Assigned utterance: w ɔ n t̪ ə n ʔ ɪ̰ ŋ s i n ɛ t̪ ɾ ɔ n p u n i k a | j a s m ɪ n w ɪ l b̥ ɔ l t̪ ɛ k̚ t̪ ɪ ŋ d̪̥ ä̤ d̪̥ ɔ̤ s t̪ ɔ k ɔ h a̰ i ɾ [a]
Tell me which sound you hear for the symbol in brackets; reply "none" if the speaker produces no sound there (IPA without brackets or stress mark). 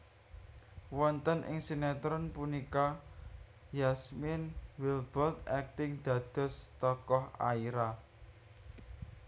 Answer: a